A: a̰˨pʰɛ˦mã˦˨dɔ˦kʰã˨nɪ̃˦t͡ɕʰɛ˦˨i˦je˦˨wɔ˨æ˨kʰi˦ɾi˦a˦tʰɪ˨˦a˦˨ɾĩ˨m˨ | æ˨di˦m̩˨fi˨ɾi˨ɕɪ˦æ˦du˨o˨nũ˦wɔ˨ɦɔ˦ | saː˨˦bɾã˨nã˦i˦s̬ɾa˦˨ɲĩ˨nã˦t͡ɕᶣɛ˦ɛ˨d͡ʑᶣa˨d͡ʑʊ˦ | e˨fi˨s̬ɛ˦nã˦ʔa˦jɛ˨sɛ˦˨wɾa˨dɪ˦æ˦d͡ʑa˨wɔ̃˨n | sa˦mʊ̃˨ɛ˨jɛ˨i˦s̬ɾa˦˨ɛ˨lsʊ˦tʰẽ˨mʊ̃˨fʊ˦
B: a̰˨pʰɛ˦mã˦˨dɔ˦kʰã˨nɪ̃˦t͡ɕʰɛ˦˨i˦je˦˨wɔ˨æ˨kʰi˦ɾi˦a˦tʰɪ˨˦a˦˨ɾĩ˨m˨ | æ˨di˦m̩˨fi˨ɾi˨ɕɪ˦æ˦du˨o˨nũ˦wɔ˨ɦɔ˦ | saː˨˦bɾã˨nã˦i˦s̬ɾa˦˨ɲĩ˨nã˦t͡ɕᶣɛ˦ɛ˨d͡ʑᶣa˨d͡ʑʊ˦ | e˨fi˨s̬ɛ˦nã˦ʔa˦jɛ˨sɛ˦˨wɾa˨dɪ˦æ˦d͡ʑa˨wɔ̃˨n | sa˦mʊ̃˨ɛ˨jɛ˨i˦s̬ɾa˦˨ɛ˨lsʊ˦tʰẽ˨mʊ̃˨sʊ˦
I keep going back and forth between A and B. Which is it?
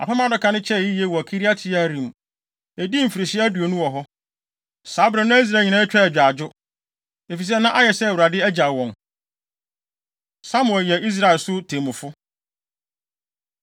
A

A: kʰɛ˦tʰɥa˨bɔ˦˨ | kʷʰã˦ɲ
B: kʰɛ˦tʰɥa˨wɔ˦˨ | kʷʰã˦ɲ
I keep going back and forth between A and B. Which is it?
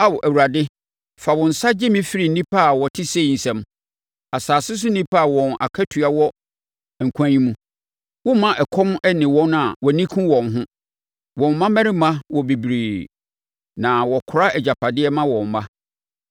B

